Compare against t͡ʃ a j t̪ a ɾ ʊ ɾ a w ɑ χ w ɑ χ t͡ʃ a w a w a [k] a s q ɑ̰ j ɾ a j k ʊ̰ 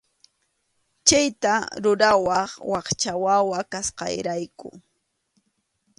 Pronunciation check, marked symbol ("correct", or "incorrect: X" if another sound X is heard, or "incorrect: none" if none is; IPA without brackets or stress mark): correct